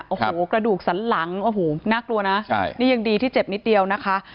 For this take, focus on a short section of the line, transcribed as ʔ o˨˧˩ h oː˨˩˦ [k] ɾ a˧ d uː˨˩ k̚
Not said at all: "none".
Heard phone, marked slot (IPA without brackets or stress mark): k